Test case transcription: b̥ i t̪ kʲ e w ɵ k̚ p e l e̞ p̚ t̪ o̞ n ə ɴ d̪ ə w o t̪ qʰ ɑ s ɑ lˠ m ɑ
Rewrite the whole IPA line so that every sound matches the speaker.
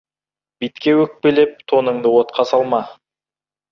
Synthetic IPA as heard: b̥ i t̪ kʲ e w ɵ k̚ p e l e̞ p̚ t̪ʰ o̞ n ə ɴ d̪ ə w o t̪ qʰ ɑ s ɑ lˠ m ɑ